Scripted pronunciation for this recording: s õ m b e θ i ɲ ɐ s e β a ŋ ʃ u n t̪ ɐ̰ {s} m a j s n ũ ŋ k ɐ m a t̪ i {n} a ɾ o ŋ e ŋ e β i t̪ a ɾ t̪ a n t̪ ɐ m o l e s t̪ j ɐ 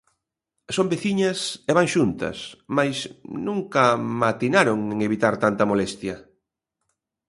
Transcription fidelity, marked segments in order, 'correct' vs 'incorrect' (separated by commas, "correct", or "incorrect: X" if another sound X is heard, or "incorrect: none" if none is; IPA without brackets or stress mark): correct, correct